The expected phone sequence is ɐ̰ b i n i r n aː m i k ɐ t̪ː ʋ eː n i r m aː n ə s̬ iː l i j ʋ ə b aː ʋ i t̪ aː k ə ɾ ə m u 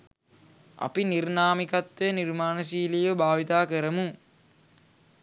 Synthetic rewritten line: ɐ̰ p i n i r n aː m i k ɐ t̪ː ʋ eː n i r m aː n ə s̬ iː l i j ʋ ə b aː ʋ i t̪ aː k ə ɾ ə m u